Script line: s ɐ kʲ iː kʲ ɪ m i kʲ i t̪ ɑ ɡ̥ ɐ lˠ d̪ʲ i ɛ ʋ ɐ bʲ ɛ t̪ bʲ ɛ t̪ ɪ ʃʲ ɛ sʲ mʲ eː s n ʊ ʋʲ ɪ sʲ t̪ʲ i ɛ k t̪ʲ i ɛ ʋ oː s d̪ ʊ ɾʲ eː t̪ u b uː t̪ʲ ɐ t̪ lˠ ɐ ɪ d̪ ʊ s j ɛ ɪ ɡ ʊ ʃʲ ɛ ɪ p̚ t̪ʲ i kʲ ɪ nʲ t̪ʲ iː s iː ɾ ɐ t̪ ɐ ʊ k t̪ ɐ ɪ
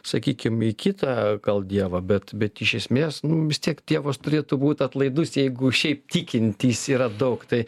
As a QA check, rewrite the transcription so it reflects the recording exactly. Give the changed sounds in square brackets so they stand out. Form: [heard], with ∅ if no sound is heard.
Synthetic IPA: s ɐ kʲ iː kʲ ɪ m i kʲ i t̪ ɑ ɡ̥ ɐ lˠ d̪ʲ i ɛ ʋ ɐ bʲ ɛ t̪ bʲ ɛ t̪ ɪ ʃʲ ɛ sʲ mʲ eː s n ʊ ʋʲ ɪ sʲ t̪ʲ i ɛ k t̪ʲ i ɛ ʋ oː s [t̪] ʊ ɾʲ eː t̪ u b uː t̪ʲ ɐ t̪ lˠ ɐ ɪ d̪ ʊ s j ɛ ɪ ɡ ʊ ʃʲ ɛ ɪ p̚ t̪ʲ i kʲ ɪ nʲ t̪ʲ iː s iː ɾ ɐ [d̪] ɐ ʊ k t̪ ɐ ɪ

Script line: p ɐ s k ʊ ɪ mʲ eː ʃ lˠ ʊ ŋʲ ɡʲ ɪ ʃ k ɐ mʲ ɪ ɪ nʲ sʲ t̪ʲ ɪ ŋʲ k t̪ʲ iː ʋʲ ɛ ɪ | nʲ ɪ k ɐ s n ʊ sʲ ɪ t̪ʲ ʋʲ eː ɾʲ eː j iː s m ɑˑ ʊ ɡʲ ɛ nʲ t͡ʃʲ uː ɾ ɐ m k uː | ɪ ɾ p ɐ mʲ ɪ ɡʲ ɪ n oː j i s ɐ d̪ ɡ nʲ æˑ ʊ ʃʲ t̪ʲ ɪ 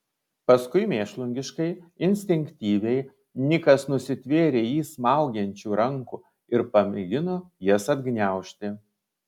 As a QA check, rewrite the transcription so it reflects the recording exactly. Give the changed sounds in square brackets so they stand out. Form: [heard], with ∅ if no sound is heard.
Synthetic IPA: p ɐ s k ʊ ɪ mʲ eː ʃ lˠ ʊ ŋʲ ɡʲ ɪ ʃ k ɐ [∅] ɪ ɪ nʲ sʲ t̪ʲ ɪ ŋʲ k t̪ʲ iː ʋʲ ɛ ɪ | nʲ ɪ k ɐ s n ʊ sʲ ɪ t̪ʲ ʋʲ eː ɾʲ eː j iː s m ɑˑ ʊ ɡʲ ɛ nʲ t͡ʃʲ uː ɾ ɐ [ŋ] k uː | ɪ ɾ p ɐ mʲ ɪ ɡʲ ɪ n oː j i s ɐ d̪ ɡ nʲ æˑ ʊ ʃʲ t̪ʲ ɪ

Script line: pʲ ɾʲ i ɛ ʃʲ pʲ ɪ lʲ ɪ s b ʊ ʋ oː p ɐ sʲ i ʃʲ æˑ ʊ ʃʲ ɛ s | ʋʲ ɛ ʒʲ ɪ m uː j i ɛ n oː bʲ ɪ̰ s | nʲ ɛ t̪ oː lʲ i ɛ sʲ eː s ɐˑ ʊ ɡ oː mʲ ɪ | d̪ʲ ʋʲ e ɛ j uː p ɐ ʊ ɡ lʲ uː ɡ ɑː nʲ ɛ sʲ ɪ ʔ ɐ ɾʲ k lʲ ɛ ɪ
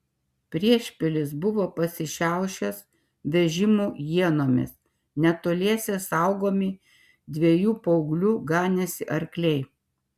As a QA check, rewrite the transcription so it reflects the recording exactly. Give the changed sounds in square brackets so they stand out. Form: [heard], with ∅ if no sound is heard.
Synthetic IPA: pʲ ɾʲ i ɛ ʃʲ pʲ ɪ lʲ ɪ s b ʊ ʋ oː p ɐ sʲ [ɪ] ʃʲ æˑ ʊ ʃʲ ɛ s | ʋʲ ɛ ʒʲ ɪ m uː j i ɛ n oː [mʲ] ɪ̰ s | nʲ ɛ t̪ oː lʲ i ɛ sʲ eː s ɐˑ ʊ ɡ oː mʲ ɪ | d̪ʲ ʋʲ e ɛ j uː p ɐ ʊ ɡ lʲ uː ɡ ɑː nʲ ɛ sʲ ɪ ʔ ɐ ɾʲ k lʲ ɛ ɪ

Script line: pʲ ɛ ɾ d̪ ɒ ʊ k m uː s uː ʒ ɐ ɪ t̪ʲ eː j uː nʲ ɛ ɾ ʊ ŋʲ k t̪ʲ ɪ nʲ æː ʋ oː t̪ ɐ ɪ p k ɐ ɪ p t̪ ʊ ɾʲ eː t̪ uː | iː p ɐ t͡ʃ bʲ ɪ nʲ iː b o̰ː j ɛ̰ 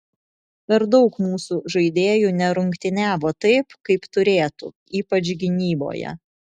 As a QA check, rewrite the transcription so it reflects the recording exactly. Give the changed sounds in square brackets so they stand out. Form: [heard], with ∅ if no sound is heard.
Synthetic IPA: pʲ ɛ ɾ d̪ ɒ ʊ k m uː s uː ʒ ɐ ɪ [d̪ʲ] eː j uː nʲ ɛ ɾ ʊ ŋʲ k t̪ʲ ɪ nʲ æː ʋ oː t̪ ɐ ɪ p k ɐ ɪ p t̪ ʊ ɾʲ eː t̪ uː | iː p ɐ t͡ʃ [ɡʲ] ɪ nʲ iː b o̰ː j ɛ̰

